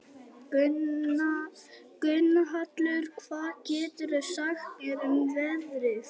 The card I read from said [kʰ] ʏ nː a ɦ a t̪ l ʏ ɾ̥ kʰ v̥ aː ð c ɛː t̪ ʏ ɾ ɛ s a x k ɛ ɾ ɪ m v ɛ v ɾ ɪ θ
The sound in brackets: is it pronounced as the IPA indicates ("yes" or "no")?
no